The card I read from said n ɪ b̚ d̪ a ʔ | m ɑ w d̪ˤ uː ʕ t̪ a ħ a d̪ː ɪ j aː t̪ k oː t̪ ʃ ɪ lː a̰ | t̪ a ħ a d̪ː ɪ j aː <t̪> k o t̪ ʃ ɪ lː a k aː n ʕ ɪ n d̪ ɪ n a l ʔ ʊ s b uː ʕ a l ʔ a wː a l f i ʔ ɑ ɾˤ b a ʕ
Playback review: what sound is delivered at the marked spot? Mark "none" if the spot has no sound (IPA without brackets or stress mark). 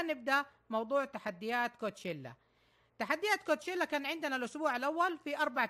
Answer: t̪